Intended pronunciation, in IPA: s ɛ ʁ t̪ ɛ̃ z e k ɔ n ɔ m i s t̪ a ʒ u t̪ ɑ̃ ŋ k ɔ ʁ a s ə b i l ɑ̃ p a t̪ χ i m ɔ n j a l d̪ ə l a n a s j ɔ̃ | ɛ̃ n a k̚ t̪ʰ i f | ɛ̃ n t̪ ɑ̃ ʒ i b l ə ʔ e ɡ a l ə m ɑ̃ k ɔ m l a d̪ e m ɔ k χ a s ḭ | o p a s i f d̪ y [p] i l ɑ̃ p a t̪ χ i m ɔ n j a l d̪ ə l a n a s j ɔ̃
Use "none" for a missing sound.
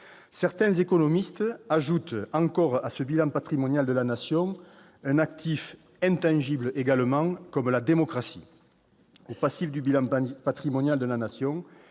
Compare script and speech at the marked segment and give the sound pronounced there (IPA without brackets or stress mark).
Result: b